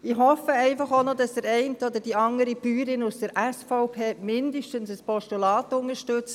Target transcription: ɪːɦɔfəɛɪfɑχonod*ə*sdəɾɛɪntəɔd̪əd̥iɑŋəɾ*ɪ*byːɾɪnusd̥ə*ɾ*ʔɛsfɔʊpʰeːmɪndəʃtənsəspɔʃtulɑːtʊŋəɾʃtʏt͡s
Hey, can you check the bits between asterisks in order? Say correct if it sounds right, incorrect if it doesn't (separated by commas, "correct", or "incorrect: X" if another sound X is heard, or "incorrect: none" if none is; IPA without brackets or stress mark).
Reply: incorrect: ɑ, incorrect: i, correct